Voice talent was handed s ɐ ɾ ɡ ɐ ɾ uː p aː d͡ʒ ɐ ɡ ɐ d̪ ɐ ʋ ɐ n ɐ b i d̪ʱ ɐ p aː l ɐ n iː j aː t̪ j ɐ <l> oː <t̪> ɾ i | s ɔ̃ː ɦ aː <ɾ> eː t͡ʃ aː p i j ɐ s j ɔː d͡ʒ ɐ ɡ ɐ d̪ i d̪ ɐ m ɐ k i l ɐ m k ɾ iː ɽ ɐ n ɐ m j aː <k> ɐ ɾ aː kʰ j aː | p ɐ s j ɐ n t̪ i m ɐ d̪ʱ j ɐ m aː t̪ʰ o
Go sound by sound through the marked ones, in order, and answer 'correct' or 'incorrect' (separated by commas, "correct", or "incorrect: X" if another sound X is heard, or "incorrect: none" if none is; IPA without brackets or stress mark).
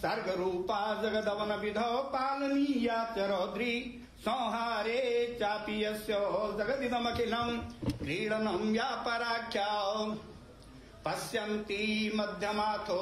incorrect: ɾ, incorrect: d̪, correct, incorrect: p